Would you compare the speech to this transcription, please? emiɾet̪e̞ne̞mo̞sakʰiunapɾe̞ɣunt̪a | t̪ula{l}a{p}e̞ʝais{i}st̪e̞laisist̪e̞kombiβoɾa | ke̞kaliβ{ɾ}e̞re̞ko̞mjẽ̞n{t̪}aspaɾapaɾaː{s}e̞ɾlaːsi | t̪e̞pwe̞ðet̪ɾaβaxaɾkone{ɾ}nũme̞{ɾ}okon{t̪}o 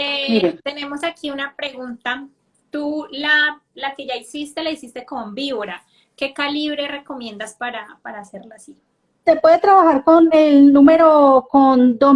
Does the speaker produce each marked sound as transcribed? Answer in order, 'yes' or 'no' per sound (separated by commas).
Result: yes, no, yes, yes, no, yes, no, yes, no